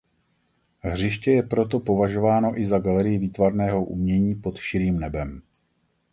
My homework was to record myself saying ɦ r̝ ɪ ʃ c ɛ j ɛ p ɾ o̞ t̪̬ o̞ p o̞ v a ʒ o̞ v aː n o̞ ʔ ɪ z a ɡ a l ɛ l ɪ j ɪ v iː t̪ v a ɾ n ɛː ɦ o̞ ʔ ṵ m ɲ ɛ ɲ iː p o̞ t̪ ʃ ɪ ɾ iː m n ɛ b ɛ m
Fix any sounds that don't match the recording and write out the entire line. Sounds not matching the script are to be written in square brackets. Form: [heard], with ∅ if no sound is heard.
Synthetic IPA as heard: ɦ r̝ ɪ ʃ c ɛ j ɛ p ɾ o̞ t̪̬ o̞ p o̞ v a ʒ o̞ v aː n o̞ ʔ ɪ z a ɡ a l ɛ [ɾ] ɪ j ɪ v iː t̪ v a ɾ n ɛː ɦ o̞ ʔ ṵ m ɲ ɛ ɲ iː p o̞ t̪ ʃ ɪ ɾ iː m n ɛ b ɛ m